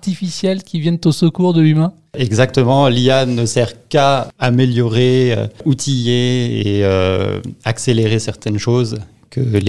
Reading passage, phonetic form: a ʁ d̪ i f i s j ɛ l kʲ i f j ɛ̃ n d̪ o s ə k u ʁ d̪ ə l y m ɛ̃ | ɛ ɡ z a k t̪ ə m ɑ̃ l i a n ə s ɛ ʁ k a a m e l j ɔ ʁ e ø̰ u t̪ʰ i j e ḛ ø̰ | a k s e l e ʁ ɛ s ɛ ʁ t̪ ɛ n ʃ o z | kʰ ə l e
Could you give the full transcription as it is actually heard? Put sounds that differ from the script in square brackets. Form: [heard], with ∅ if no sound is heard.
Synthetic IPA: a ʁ [t̪] i f i s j ɛ l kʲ i [v] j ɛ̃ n [t̪] o s ə k u ʁ d̪ ə l y m ɛ̃ | ɛ ɡ z a k t̪ ə m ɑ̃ l i a n ə s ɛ ʁ k a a m e l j ɔ ʁ e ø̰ u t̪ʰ i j e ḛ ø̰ | a k s e l e ʁ [e] s ɛ ʁ t̪ ɛ n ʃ o z | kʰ ə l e